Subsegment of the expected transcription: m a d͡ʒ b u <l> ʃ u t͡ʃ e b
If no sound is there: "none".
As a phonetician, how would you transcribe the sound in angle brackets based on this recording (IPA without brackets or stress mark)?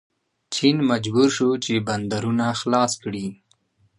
ɾ